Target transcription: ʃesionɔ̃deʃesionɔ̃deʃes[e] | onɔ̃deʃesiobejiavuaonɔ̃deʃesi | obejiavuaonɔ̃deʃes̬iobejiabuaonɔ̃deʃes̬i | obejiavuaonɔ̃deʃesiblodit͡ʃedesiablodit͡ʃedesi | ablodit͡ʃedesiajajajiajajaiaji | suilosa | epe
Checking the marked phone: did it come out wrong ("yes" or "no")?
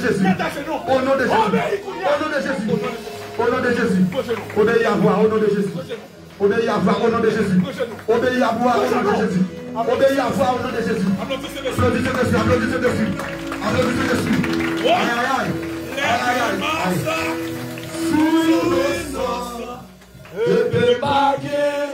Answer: yes